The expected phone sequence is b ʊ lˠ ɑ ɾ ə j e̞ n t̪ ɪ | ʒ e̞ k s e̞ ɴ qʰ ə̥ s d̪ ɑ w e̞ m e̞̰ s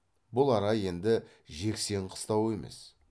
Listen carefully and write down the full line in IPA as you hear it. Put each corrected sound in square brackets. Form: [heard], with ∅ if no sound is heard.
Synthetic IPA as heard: b ʊ lˠ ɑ ɾ [ɑ] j e̞ n [d̪] ɪ | ʒ e̞ k s e̞ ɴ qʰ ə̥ s [t̪] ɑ w e̞ m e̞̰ s